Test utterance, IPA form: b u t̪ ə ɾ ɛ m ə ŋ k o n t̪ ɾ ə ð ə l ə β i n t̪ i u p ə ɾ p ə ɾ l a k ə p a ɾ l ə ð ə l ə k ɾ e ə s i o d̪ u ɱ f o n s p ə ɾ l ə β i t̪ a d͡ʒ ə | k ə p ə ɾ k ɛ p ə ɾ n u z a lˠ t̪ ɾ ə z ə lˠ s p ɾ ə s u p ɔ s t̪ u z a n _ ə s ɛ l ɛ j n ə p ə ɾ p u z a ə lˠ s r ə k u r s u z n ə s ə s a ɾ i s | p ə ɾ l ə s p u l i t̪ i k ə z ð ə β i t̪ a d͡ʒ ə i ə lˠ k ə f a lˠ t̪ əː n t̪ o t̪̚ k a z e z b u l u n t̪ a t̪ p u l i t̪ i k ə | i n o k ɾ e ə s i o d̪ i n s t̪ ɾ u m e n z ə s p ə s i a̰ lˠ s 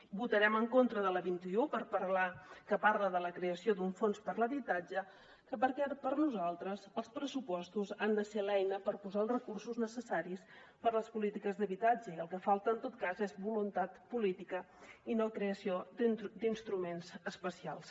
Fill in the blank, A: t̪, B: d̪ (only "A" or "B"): B